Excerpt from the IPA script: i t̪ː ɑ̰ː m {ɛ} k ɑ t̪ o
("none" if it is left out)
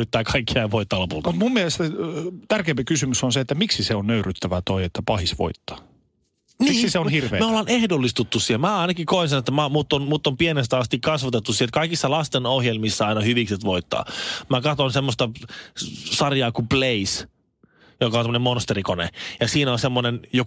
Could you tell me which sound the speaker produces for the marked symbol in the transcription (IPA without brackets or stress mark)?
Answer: æ